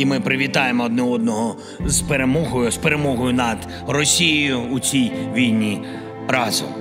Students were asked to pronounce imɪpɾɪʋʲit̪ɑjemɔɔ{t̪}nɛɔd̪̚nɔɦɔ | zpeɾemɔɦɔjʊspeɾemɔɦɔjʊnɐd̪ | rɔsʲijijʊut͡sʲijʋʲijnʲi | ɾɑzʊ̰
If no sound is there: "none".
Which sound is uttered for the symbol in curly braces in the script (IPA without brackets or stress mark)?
d̪